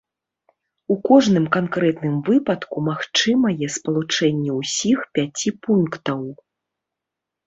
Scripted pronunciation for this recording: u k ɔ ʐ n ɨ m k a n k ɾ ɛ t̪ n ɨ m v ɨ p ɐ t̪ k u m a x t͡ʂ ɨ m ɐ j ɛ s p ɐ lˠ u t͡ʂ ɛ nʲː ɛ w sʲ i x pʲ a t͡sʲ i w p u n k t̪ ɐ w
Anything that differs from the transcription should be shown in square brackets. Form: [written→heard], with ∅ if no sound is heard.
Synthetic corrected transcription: u k ɔ ʐ n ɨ m k a n k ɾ ɛ t̪ n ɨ m v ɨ p ɐ t̪ k u m a x t͡ʂ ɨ m ɐ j ɛ s p ɐ lˠ u t͡ʂ ɛ nʲː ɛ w sʲ i x pʲ a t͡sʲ i [w→∅] p u n k t̪ ɐ w